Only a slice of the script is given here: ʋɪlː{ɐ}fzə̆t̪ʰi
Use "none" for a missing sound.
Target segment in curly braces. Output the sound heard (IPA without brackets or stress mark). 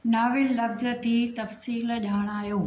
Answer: ɐ